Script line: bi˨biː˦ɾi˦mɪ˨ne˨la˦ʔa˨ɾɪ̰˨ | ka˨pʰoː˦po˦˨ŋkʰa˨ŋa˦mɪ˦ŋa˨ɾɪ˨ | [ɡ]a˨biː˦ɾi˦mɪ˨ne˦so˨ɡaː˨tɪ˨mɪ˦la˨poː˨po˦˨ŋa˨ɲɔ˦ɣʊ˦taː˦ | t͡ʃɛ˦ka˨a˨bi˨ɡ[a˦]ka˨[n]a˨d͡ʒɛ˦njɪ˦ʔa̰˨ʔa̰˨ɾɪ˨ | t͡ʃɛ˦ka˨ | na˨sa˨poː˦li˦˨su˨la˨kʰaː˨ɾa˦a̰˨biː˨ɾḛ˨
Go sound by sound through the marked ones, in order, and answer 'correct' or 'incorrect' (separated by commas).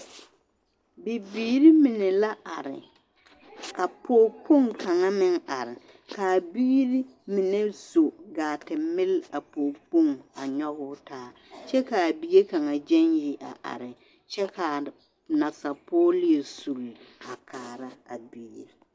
incorrect, incorrect, incorrect